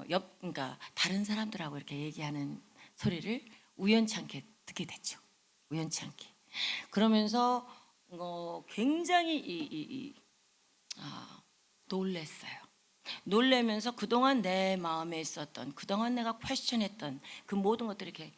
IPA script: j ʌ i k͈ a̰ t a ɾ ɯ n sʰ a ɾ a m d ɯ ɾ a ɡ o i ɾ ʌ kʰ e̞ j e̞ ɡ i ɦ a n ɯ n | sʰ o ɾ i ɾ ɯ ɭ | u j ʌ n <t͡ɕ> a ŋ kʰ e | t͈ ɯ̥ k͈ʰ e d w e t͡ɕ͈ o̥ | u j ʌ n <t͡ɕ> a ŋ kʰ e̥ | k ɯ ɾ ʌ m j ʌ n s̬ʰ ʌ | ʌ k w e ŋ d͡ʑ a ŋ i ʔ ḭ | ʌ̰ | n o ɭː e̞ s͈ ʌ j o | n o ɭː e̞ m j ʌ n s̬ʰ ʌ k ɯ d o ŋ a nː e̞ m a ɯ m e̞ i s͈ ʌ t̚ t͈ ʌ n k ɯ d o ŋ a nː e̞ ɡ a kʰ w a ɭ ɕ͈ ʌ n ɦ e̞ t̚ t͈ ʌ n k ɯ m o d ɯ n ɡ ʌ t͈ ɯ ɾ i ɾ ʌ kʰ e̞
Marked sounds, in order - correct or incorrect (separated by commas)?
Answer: incorrect, incorrect